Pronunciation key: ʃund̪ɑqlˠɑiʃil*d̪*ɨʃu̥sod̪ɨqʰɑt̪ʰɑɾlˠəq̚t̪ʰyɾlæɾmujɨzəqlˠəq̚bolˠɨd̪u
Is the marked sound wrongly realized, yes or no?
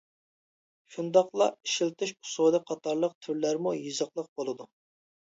yes